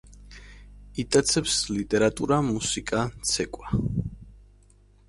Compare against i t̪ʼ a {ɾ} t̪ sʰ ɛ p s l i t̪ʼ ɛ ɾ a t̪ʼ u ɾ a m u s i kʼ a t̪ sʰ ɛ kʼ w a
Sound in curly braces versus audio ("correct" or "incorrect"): incorrect